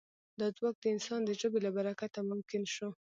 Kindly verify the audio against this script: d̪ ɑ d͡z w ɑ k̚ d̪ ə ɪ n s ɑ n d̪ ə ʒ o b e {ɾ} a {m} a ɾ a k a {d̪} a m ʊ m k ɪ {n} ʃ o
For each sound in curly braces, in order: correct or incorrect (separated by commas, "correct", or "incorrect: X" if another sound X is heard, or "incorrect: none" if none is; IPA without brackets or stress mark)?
incorrect: l, incorrect: b, incorrect: t̪, correct